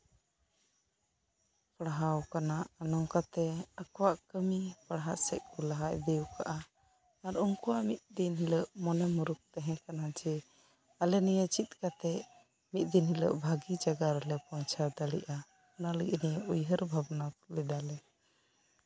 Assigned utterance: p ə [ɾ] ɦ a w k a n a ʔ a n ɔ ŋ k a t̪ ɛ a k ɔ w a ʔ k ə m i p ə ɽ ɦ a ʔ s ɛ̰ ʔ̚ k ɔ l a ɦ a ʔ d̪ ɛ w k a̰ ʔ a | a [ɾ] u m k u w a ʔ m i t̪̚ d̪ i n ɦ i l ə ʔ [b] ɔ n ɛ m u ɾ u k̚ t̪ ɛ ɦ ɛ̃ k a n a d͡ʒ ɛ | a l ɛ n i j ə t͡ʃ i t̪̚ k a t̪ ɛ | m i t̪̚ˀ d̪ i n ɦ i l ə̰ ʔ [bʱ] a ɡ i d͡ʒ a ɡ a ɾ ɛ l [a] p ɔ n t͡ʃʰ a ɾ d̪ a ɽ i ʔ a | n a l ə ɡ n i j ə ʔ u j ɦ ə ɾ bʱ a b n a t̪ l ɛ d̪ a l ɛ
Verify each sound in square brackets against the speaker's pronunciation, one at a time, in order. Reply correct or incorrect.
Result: incorrect, correct, incorrect, correct, incorrect

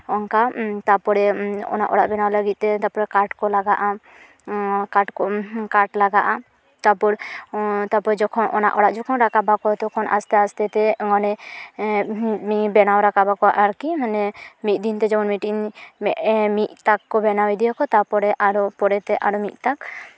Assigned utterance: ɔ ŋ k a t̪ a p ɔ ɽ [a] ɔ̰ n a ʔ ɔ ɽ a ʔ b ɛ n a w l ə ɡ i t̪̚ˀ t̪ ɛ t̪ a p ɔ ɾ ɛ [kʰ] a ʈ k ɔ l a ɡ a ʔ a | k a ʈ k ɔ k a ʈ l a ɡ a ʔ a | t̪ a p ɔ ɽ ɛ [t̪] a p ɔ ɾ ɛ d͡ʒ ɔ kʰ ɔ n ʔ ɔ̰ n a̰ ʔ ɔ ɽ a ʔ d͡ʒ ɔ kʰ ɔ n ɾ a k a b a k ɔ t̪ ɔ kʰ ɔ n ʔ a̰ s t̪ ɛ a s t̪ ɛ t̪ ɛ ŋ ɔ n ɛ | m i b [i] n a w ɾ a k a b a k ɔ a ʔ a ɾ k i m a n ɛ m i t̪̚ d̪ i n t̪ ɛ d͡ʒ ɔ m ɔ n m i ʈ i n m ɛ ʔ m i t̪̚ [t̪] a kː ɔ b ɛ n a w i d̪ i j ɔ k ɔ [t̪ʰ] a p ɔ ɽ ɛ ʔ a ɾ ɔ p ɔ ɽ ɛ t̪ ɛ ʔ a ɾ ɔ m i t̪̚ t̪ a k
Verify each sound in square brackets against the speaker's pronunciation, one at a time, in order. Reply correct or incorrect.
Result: incorrect, incorrect, correct, incorrect, correct, incorrect

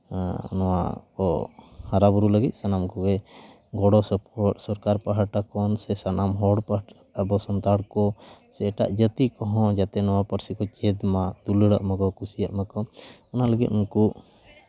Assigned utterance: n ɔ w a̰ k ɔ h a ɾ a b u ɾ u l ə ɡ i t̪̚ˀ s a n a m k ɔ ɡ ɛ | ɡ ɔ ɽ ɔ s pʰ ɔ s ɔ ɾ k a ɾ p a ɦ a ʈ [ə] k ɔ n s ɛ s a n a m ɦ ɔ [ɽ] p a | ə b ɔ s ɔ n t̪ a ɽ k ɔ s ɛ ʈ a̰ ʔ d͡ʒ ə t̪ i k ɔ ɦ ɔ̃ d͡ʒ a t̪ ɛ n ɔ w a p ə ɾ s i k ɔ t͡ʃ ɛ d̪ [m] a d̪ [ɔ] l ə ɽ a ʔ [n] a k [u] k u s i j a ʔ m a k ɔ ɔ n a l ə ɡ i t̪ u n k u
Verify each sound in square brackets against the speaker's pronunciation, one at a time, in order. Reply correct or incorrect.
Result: incorrect, correct, correct, incorrect, incorrect, incorrect

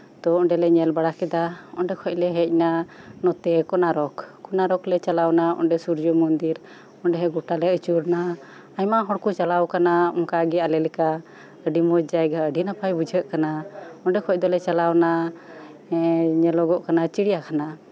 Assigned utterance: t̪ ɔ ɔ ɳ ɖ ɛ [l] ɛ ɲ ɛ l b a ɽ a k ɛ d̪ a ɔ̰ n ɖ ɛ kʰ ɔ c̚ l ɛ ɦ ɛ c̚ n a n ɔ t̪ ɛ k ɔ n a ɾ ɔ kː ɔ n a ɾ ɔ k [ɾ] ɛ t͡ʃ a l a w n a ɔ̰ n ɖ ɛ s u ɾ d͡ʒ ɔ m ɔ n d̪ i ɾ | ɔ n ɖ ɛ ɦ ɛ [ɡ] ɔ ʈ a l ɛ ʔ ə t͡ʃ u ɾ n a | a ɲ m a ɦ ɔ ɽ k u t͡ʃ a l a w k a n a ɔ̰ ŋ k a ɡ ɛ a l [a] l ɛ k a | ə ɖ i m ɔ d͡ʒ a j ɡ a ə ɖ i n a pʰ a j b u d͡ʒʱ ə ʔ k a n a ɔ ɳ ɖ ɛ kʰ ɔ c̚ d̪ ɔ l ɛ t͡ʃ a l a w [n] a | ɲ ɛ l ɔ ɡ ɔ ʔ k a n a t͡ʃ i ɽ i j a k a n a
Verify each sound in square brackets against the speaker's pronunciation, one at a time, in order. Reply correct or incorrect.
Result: correct, incorrect, correct, incorrect, correct

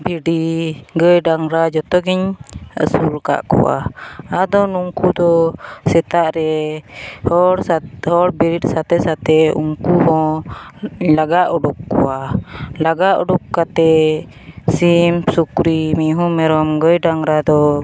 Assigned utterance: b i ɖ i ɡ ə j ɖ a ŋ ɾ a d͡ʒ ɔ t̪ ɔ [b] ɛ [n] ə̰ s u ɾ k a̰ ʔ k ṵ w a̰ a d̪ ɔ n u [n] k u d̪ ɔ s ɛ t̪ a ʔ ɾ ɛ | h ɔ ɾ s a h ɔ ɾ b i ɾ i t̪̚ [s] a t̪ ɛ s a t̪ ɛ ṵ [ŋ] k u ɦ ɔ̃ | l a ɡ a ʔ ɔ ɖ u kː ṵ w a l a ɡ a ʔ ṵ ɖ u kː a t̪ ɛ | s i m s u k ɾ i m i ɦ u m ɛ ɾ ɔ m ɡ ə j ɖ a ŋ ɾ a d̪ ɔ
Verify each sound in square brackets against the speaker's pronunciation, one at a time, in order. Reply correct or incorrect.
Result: incorrect, incorrect, incorrect, correct, correct

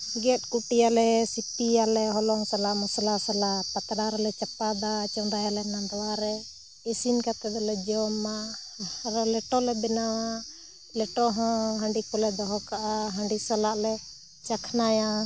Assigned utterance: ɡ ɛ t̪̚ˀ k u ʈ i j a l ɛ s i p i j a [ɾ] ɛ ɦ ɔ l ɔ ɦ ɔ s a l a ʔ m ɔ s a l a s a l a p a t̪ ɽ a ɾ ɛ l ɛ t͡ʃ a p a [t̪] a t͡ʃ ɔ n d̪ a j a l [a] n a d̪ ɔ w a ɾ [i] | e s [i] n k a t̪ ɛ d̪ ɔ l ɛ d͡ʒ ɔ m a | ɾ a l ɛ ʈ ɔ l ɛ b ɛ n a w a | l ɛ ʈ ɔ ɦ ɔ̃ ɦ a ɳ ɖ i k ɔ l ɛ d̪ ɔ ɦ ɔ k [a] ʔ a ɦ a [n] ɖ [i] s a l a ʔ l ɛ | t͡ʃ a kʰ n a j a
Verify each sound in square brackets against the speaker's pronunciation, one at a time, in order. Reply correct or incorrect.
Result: incorrect, incorrect, incorrect, incorrect, correct, correct, incorrect, correct

